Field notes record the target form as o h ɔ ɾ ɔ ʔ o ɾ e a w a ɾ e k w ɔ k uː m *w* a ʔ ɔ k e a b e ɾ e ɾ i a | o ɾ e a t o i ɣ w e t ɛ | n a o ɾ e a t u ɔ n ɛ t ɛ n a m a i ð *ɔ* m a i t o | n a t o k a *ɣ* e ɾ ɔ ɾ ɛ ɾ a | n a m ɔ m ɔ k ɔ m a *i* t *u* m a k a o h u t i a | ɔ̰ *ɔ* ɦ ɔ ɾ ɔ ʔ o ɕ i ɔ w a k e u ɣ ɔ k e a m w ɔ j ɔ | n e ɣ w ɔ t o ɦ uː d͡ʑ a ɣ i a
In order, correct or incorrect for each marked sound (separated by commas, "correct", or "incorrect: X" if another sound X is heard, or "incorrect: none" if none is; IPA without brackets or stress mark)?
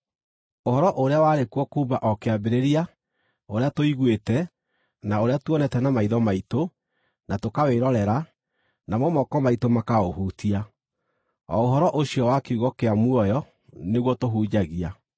incorrect: b, correct, incorrect: w, correct, incorrect: o, incorrect: o